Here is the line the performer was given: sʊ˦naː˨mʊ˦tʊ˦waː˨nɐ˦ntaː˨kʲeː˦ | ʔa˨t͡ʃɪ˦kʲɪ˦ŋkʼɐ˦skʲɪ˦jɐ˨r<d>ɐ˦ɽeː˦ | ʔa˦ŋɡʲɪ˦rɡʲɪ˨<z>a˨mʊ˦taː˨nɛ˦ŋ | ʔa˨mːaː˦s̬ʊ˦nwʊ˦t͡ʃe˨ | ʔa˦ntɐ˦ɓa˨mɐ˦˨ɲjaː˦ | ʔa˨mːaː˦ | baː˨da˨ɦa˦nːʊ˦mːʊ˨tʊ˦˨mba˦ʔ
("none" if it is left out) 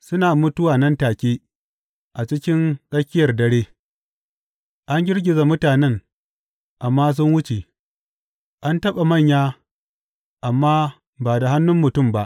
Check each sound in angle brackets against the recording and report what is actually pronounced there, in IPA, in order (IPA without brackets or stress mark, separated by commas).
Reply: d, z